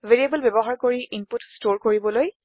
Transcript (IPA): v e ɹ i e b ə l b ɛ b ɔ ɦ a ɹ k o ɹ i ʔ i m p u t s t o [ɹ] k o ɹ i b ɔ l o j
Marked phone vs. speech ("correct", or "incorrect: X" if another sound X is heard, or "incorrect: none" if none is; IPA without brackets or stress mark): correct